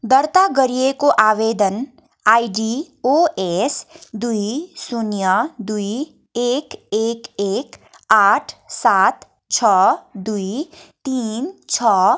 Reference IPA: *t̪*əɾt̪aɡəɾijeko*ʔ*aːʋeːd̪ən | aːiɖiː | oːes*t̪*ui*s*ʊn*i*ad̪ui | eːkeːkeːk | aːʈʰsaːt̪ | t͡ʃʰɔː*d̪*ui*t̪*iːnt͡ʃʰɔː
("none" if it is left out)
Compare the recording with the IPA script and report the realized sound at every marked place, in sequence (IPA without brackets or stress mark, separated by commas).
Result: d̪, ʔ, d̪, s, j, d̪, t̪